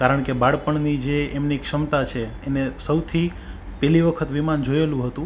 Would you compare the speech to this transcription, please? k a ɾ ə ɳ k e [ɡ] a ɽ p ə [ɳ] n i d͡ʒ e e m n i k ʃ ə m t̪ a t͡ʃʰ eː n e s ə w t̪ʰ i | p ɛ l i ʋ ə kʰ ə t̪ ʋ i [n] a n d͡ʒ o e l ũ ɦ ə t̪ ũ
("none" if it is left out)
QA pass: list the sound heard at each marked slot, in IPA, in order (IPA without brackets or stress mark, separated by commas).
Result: b, ɳ, m